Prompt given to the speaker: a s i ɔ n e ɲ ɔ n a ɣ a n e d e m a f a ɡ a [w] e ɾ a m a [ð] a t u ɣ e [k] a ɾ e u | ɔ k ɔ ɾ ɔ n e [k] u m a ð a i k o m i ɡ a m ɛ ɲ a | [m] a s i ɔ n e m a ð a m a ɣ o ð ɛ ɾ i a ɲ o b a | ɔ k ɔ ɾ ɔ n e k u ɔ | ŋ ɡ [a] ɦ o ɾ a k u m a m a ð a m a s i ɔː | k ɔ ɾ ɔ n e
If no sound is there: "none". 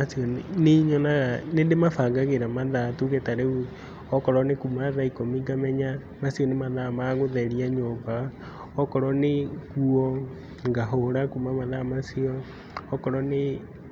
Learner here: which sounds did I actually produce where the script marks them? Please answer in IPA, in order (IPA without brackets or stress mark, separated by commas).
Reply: ɣ, ð, t, k, m, a